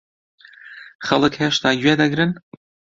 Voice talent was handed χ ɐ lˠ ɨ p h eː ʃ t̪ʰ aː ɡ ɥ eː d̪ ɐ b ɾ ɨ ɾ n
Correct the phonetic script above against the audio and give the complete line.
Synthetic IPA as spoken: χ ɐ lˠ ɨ k h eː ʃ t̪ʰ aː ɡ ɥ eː d̪ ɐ ɡ ɾ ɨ n